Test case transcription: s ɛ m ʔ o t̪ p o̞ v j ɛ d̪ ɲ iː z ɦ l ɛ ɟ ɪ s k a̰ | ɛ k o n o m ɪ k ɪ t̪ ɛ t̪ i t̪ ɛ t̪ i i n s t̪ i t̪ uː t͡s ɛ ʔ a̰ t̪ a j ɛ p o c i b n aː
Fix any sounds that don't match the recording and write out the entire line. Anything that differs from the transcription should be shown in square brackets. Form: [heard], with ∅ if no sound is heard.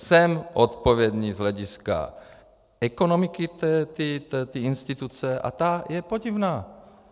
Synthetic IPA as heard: s ɛ m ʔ o t̪ p o̞ v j ɛ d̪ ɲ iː z ɦ l ɛ ɟ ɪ s k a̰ | ɛ k o n o m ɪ k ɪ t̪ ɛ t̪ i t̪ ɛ t̪ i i n s t̪ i t̪ [u] t͡s ɛ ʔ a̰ t̪ a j ɛ p o [ɟ] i [v] n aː